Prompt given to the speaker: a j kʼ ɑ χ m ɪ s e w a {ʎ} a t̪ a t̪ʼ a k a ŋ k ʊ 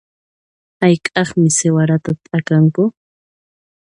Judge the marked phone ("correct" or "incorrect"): incorrect